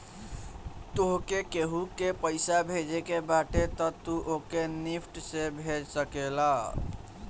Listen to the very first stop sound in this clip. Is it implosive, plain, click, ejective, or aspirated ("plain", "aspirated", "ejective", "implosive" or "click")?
plain